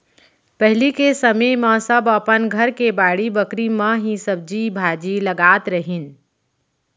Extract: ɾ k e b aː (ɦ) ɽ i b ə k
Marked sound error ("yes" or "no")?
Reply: yes